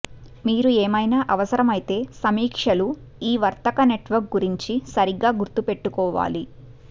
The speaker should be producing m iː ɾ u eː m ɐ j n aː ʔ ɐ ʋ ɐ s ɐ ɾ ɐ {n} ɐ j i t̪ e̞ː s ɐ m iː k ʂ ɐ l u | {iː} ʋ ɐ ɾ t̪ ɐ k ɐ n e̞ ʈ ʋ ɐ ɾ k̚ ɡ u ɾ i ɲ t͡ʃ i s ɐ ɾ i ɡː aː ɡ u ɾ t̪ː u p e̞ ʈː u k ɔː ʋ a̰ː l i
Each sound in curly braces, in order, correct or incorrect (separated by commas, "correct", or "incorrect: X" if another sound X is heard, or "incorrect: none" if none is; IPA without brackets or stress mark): incorrect: m, correct